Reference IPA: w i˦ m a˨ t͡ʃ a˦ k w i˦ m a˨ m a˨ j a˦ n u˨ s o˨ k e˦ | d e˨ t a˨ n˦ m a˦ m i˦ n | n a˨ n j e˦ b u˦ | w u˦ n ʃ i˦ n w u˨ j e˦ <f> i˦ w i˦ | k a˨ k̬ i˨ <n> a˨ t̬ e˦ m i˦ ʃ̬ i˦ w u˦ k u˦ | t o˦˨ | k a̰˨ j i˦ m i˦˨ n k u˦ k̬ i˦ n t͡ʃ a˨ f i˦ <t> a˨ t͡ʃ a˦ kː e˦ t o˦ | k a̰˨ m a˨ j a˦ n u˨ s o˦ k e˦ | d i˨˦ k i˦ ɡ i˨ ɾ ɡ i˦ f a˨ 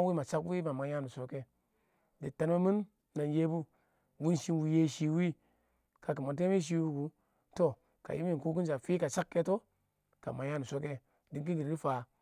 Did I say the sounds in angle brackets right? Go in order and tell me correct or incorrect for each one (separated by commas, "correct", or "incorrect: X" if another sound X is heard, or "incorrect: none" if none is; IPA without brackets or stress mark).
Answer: incorrect: ʃ, incorrect: m, incorrect: k